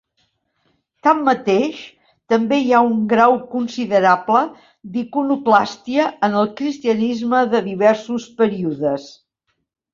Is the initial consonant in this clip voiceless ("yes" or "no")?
yes